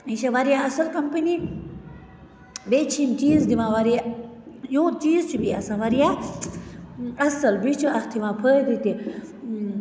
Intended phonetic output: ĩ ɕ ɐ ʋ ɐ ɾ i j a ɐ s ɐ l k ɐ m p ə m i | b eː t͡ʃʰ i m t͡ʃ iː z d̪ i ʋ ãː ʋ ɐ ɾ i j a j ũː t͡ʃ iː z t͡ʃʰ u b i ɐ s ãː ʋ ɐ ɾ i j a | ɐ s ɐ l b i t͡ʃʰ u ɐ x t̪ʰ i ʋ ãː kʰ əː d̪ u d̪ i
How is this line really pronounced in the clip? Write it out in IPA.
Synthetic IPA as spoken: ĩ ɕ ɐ ʋ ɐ ɾ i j a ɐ s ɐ l k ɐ m p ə n i | b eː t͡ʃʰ i m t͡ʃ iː z d̪ i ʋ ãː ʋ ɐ ɾ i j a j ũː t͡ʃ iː z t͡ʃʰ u b i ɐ s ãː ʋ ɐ ɾ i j a | ɐ s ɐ l b i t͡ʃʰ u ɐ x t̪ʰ i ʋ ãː pʰ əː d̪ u t̪ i